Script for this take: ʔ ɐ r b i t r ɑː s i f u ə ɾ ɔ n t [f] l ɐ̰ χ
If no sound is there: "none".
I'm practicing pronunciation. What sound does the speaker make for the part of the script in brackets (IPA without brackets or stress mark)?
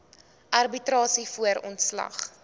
s